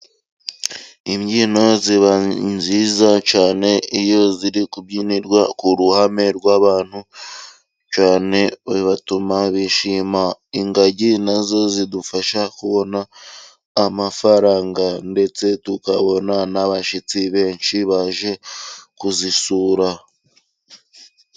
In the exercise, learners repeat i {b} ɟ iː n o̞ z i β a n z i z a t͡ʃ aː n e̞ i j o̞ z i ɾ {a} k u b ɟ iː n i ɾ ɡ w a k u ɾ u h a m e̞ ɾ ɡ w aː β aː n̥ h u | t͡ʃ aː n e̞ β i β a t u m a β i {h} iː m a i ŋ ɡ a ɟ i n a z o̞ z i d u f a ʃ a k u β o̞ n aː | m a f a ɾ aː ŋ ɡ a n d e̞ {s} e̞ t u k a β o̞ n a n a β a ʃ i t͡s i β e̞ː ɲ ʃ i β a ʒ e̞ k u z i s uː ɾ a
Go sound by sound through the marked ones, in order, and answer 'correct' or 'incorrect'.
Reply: incorrect: m, incorrect: i, incorrect: ʃ, incorrect: t͡s

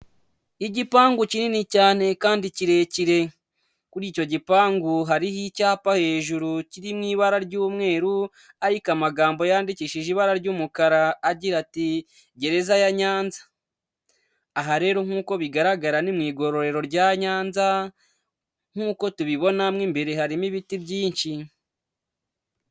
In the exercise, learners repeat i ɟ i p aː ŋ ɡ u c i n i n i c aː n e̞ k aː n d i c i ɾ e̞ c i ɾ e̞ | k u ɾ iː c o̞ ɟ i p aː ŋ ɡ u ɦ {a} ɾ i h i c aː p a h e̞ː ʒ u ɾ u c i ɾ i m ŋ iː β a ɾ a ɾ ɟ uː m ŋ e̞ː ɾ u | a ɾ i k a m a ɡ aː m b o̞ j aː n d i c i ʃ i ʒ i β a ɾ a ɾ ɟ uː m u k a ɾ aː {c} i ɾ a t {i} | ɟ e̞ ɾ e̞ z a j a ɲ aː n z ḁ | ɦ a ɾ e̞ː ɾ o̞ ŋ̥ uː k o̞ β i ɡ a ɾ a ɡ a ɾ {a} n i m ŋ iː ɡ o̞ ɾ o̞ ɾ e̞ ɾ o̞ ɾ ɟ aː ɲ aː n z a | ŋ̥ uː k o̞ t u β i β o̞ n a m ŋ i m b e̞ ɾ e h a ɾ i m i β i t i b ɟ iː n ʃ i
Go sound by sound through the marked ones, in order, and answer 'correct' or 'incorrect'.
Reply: correct, incorrect: ɟ, correct, correct

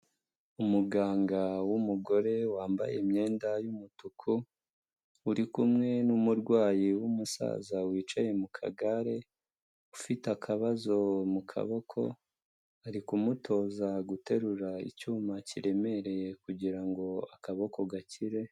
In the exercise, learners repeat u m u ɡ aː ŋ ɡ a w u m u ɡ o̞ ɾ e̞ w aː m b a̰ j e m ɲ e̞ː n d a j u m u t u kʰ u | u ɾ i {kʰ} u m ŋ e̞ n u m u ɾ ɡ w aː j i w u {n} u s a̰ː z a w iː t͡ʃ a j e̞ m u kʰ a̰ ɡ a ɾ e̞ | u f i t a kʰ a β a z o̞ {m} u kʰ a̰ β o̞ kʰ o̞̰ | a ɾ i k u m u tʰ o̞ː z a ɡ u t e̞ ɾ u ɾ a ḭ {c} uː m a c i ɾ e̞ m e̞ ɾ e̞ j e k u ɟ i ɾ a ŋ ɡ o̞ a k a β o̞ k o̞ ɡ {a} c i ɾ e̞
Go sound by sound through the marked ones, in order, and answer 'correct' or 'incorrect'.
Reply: incorrect: k, incorrect: m, correct, correct, correct

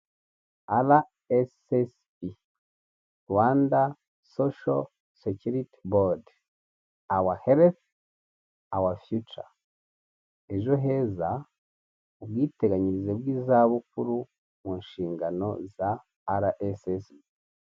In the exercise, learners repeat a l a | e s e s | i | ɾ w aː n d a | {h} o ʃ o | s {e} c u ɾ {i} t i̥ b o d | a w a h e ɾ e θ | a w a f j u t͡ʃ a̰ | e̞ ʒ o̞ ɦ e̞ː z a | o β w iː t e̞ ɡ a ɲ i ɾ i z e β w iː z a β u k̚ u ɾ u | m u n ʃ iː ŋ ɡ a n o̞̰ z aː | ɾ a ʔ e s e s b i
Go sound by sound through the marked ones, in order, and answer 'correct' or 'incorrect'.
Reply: incorrect: s, correct, correct

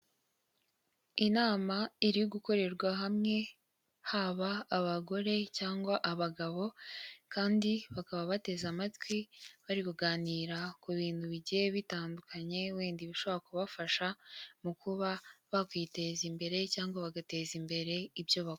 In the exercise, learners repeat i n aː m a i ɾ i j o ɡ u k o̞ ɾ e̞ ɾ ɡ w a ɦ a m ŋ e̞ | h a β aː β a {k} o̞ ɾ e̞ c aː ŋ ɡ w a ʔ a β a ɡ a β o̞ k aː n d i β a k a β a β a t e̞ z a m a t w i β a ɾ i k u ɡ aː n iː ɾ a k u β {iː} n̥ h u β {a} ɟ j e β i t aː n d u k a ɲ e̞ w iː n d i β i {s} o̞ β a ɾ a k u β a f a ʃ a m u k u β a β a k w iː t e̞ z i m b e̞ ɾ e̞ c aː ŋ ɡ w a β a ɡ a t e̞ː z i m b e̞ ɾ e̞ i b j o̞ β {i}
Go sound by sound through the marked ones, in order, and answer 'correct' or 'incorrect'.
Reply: incorrect: ɡ, correct, incorrect: i, incorrect: ʃ, incorrect: a

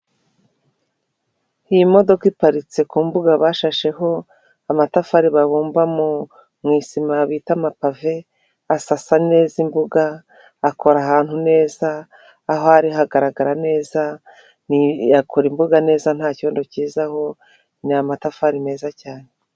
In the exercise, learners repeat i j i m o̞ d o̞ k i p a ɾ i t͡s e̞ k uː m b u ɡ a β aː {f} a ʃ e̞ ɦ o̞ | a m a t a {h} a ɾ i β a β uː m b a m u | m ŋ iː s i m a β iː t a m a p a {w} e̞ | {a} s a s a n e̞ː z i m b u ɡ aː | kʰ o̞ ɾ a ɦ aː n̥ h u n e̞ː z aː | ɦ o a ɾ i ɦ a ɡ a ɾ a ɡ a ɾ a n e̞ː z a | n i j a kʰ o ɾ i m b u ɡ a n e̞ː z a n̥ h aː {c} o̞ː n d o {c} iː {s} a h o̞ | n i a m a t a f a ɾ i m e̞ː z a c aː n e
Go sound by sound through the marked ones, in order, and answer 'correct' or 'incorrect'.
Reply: incorrect: ʃ, incorrect: f, incorrect: v, correct, correct, correct, incorrect: z

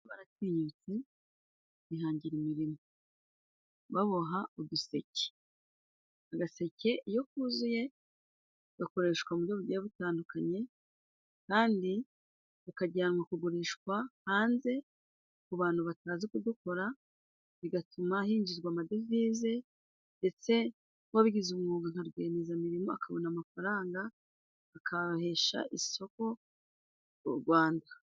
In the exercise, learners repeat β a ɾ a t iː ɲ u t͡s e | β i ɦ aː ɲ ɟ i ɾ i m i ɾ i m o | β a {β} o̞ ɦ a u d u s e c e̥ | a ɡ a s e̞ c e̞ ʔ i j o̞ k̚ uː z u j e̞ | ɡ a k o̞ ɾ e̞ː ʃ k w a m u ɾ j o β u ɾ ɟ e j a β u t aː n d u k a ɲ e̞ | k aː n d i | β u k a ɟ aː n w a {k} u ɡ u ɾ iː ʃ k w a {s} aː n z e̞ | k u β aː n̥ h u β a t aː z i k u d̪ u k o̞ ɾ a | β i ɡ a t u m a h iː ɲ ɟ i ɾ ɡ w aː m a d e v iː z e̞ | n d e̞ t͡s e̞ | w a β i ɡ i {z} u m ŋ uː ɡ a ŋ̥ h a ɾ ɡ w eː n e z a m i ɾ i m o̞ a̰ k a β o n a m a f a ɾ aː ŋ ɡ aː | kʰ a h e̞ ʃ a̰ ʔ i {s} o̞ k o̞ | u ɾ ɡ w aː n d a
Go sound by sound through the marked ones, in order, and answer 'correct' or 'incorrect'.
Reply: correct, correct, incorrect: h, correct, correct

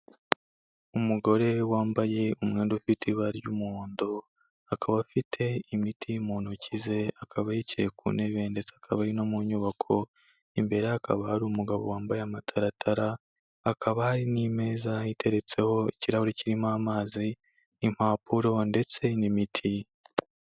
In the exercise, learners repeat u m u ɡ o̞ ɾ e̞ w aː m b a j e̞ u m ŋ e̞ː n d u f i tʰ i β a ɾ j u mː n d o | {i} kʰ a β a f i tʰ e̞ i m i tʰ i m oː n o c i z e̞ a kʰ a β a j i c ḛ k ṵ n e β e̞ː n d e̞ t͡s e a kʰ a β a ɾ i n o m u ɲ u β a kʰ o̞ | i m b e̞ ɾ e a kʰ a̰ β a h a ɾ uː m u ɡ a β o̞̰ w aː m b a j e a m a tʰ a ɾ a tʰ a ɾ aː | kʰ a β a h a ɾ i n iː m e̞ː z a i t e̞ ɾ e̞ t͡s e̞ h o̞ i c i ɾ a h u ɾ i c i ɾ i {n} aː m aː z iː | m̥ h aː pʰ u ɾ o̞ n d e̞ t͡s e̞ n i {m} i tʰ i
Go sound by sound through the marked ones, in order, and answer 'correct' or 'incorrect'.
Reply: incorrect: a, incorrect: m, correct

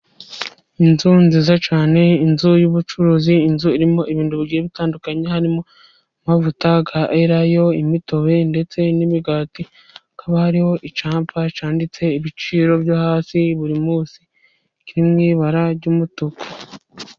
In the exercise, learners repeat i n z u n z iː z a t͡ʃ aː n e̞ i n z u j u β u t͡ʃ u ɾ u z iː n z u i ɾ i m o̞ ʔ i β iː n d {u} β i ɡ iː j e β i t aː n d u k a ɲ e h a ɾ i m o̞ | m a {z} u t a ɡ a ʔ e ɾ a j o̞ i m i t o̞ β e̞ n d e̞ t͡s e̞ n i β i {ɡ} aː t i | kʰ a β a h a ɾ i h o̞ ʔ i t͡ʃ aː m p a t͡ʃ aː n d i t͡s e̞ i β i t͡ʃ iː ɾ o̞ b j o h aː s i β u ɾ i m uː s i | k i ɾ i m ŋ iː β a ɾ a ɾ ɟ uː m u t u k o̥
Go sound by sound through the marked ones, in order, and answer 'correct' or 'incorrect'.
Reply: correct, incorrect: v, correct

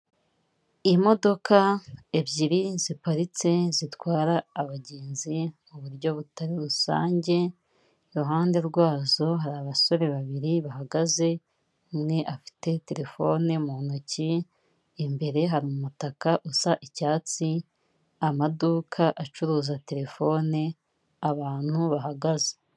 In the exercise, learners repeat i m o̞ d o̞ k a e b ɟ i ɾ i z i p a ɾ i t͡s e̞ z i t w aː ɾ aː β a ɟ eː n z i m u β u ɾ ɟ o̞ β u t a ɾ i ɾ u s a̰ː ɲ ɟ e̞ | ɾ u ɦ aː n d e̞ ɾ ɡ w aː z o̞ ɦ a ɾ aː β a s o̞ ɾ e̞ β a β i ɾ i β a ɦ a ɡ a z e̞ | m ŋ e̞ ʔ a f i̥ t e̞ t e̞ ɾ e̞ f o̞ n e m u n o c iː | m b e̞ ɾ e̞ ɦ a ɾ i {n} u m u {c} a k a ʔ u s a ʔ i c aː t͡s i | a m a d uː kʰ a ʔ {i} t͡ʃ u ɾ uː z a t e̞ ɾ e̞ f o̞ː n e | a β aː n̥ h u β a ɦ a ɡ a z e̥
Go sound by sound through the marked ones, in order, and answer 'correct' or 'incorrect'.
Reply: incorrect: m, incorrect: t, incorrect: a

